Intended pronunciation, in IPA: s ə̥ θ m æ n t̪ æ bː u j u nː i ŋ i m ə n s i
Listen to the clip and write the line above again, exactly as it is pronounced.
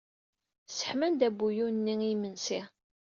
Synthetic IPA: s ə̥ ħ m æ n d̪ æ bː u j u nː i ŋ i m ə n s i